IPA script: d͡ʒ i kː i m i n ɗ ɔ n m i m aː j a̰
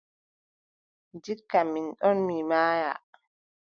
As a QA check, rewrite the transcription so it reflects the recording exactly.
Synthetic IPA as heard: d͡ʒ i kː a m i n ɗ ɔ n m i m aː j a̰